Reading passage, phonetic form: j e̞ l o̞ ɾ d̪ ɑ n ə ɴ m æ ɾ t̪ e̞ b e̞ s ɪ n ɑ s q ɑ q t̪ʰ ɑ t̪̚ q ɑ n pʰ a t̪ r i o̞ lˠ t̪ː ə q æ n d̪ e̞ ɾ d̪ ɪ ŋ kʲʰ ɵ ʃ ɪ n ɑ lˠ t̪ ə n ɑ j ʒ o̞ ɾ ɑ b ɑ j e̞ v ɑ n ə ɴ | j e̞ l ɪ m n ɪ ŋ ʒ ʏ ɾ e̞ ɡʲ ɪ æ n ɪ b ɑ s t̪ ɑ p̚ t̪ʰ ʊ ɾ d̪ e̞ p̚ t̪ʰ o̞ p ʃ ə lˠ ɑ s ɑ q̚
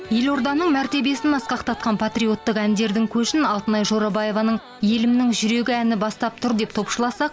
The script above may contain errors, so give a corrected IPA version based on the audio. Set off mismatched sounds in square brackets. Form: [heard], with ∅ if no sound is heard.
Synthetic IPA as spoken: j e̞ l o̞ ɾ d̪ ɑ n ə ɴ m æ ɾ t̪ e̞ b e̞ s ɪ n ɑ s q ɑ q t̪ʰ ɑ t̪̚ q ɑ n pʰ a t̪ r i o̞ [∅] t̪ː ə q æ n d̪ e̞ ɾ d̪ ɪ ŋ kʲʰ ɵ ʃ ɪ n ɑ lˠ t̪ ə n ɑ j ʒ o̞ ɾ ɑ b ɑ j e̞ v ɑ n ə ɴ | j e̞ l ɪ m n ɪ ŋ ʒ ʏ ɾ e̞ ɡʲ ɪ æ n ɪ b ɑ s t̪ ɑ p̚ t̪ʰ ʊ ɾ d̪ e̞ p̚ t̪ʰ o̞ p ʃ ə lˠ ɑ s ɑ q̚